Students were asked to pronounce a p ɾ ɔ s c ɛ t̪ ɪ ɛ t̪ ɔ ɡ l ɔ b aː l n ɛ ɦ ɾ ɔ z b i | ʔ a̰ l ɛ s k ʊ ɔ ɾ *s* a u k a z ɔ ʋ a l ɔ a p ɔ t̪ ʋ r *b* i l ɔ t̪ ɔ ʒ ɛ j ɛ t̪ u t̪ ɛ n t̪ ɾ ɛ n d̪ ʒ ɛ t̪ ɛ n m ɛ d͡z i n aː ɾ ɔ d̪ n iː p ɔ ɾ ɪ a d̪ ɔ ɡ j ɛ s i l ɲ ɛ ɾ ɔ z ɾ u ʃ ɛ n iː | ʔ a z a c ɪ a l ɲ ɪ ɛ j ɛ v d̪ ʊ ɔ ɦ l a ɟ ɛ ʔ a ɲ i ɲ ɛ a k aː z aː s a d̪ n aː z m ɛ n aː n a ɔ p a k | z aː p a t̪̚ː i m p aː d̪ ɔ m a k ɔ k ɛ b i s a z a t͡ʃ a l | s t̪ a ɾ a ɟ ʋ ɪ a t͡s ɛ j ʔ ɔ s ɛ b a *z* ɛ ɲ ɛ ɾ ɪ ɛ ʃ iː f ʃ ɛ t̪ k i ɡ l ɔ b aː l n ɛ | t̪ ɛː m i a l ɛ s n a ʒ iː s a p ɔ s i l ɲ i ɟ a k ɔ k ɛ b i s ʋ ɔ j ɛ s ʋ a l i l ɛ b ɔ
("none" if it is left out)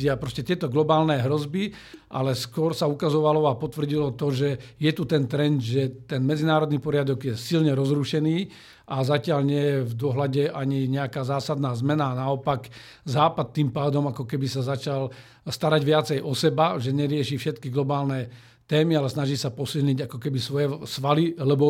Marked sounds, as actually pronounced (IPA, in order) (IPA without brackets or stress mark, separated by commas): s, ɟ, ʒ